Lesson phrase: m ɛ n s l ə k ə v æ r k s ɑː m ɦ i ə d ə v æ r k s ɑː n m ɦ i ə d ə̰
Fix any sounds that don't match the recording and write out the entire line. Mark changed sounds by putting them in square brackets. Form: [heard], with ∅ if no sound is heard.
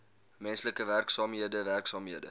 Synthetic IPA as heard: m ɛ n s l ə k ə v æ r k s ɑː m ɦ i ə d ə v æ r k s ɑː [∅] m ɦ i ə d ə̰